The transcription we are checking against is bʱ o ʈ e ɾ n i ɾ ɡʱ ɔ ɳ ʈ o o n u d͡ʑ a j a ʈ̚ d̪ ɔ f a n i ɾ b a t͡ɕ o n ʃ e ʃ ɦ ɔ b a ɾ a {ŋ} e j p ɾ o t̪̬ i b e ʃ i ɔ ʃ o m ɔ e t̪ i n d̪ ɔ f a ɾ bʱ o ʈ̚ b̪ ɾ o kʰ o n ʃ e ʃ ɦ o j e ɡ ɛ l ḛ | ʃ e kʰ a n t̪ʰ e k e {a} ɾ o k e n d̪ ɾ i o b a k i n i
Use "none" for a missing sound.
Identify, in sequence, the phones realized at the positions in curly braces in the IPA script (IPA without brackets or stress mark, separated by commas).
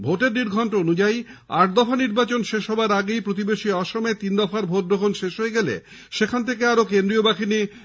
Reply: ɡ, a